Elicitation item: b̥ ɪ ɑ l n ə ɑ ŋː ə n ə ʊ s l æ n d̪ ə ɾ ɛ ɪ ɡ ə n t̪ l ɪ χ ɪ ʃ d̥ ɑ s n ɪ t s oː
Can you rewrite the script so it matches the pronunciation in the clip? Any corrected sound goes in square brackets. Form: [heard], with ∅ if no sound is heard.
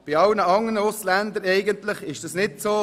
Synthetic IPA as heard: b̥ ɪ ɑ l n ə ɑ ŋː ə n ə ʊ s l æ n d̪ ə ɾ ɛ ɪ ɡ ə n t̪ l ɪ χ ɪ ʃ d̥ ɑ s n ɪ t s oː

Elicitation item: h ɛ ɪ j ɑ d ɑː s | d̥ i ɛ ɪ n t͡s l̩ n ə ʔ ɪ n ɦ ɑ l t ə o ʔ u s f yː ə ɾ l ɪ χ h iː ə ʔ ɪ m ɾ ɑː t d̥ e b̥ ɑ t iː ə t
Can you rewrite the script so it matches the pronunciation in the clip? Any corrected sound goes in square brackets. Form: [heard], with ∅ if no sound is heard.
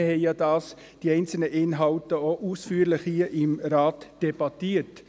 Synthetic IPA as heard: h ɛ ɪ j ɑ d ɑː s | d̥ i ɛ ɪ n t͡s l̩ n ə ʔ ɪ n ɦ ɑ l t ə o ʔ u s f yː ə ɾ l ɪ χ h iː ə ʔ ɪ m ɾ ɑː t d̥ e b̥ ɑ t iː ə t

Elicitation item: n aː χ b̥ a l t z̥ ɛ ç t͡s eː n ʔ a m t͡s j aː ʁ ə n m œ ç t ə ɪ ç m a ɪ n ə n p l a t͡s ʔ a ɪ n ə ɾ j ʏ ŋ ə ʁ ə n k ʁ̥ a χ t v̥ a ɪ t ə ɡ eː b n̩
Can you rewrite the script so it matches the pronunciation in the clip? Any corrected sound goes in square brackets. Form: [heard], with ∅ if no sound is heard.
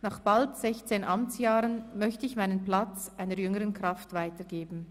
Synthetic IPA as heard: n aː χ b̥ a l t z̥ ɛ ç t͡s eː n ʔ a m t͡s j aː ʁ ə n m œ ç t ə ɪ ç m a ɪ n ə n p l a t͡s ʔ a ɪ n ə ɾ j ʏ ŋ ə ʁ ə n k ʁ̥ a [f] t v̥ a ɪ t ə ɡ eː b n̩

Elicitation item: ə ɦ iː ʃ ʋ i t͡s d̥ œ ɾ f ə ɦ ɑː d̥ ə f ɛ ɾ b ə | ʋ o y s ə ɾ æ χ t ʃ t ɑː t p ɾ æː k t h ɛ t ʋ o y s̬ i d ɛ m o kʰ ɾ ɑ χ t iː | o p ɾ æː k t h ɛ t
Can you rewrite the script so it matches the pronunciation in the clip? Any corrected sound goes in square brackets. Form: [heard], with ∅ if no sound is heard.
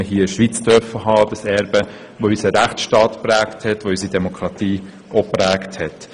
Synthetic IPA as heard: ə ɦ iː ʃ ʋ i t͡s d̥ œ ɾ f ə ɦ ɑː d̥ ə [s] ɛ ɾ b ə | ʋ o y s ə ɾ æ χ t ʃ t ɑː t p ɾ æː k t h ɛ t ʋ o y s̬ i d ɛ m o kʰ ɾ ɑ [∅] t iː | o p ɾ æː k t h ɛ t

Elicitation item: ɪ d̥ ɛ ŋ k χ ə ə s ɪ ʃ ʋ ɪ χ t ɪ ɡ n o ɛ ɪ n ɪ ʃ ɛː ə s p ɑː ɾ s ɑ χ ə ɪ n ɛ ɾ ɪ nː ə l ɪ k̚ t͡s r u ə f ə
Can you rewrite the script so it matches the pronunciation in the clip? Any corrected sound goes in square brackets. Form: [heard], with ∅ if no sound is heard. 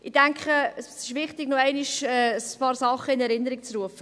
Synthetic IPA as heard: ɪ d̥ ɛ ŋ k χ ə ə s ɪ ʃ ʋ ɪ χ t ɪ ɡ n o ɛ ɪ n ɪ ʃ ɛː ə s p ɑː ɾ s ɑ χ ə ɪ n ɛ ɾ ɪ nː ə [ɾ] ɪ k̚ t͡s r u ə f ə

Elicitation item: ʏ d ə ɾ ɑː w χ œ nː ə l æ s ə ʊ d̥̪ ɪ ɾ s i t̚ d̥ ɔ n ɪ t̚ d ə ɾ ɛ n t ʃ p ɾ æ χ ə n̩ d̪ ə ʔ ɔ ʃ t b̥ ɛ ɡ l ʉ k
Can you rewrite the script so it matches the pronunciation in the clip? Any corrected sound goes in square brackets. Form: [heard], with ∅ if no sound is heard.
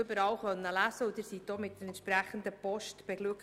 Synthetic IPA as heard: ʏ [b] ə ɾ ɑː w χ œ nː ə l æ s ə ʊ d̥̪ ɪ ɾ s i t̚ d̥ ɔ [m] ɪ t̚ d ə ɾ ɛ n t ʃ p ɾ æ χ ə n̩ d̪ ə [p] ɔ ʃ t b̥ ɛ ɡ l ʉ k

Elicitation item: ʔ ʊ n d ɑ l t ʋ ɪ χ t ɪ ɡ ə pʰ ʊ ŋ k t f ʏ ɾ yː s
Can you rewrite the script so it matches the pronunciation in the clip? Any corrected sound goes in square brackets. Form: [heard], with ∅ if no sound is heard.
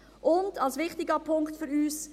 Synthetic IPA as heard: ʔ ʊ n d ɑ l [s] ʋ ɪ χ t ɪ ɡ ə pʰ ʊ ŋ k t f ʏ ɾ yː s

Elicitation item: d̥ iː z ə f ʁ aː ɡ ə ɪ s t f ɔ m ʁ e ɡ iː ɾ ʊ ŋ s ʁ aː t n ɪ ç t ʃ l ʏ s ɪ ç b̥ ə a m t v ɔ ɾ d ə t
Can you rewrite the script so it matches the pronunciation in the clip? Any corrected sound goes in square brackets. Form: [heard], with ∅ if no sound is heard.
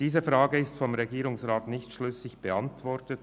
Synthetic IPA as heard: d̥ iː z ə f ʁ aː ɡ ə ɪ s t f ɔ m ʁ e ɡ iː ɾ ʊ ŋ s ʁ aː t n ɪ ç t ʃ l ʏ s ɪ ç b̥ ə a [n] t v ɔ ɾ [t] ə t

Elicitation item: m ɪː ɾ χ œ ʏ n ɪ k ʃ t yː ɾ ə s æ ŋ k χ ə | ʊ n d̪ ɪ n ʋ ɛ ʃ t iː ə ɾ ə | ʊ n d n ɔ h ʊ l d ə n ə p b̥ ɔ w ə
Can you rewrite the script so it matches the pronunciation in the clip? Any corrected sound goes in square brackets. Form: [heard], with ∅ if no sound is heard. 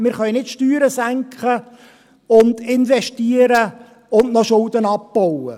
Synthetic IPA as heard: m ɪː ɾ χ œ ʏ n ɪ [t] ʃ t yː ɾ ə s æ ŋ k χ ə | ʊ n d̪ ɪ n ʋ ɛ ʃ t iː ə ɾ ə | ʊ n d n ɔ [ʃ] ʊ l d ə n [ɑ] p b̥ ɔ w ə

